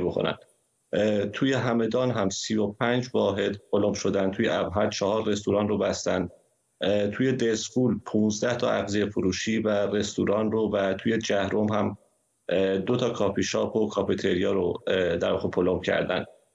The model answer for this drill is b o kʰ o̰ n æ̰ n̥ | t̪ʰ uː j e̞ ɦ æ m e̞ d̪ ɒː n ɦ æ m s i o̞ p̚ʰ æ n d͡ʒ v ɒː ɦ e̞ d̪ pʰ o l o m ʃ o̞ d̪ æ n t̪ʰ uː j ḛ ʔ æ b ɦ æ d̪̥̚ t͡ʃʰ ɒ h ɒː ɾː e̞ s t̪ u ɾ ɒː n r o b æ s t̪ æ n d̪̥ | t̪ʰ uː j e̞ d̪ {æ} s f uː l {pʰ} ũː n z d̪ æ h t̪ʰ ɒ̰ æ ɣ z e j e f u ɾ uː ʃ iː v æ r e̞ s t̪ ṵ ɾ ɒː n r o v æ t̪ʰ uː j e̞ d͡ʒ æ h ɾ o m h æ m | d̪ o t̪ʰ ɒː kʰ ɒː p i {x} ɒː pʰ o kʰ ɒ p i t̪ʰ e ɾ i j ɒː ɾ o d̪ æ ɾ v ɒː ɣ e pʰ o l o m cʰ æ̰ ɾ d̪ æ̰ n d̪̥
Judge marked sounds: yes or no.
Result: no, yes, no

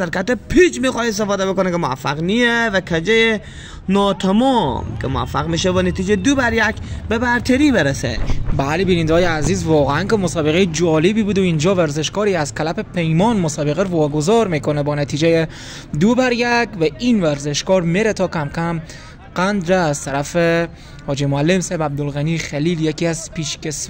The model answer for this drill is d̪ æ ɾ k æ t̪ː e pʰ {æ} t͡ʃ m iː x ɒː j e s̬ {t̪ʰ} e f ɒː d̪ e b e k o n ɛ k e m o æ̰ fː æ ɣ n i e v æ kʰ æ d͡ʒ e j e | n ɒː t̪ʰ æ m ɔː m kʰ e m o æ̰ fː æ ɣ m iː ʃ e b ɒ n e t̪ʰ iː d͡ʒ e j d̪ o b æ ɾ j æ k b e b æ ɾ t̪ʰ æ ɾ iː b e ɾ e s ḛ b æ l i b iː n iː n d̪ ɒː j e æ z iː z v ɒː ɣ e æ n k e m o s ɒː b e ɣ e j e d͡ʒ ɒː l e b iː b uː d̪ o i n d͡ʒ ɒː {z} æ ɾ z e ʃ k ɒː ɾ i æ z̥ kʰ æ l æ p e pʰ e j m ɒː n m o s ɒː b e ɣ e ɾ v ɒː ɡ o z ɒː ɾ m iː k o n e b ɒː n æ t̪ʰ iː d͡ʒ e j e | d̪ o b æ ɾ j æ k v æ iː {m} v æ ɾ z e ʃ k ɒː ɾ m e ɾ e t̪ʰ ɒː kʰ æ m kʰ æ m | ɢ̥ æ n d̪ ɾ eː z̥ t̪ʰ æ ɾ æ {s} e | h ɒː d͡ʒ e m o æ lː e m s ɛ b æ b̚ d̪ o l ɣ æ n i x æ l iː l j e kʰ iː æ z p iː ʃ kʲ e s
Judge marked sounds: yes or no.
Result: no, no, no, no, no

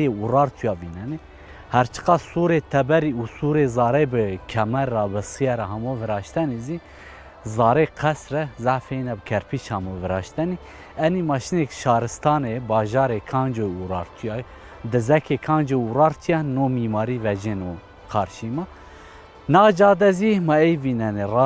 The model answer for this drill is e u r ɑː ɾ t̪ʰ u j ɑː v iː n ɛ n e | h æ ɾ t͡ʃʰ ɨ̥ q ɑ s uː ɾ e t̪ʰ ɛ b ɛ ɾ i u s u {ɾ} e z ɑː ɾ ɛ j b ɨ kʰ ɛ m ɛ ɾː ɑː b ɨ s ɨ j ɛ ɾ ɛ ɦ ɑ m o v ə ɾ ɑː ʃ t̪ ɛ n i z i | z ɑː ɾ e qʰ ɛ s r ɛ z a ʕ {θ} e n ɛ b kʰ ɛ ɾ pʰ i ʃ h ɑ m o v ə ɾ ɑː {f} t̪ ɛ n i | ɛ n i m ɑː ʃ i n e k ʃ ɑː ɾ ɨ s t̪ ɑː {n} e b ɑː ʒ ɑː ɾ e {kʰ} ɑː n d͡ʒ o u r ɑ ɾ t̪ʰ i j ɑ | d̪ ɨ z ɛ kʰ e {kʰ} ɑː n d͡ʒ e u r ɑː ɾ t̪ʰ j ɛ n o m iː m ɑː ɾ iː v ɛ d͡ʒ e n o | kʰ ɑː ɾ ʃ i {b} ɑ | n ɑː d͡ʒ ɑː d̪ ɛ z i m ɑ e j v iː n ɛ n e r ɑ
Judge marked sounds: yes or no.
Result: yes, no, no, yes, yes, yes, no

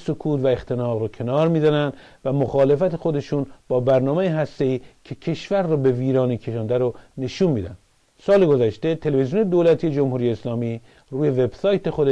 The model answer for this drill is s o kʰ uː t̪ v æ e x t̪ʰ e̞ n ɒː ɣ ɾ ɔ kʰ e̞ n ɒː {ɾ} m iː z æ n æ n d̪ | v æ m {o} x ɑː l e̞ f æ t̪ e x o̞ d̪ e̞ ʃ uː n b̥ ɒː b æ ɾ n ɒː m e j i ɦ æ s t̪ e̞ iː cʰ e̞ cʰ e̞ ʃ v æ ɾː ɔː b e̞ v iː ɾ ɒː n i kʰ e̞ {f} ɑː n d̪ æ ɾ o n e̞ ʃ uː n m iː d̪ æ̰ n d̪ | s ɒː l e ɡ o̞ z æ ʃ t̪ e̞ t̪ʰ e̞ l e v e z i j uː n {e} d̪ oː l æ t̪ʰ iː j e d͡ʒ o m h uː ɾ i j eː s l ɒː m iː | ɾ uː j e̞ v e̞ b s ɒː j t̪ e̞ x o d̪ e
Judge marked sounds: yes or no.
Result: yes, yes, no, yes

